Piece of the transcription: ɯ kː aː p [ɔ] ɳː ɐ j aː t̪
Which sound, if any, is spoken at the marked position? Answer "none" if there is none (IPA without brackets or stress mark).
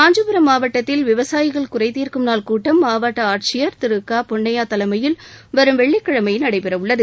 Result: ɔ